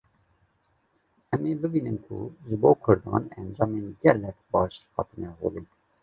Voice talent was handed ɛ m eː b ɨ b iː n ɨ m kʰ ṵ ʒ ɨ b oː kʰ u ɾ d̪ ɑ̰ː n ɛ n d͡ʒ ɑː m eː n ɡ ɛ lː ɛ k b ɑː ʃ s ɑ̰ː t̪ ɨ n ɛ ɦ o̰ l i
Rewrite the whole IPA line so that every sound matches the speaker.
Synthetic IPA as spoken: ɛ m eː b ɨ b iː n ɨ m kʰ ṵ ʒ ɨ b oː kʰ ʊ ɾ d̪ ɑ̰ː n ɛ n d͡ʒ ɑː m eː n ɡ ɛ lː ɛ k b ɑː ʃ h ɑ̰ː t̪ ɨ n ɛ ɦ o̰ l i